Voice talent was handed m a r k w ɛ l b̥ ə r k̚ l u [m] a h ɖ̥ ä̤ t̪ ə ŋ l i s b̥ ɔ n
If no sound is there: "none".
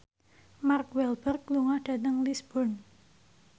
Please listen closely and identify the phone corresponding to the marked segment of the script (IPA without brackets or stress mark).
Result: ŋ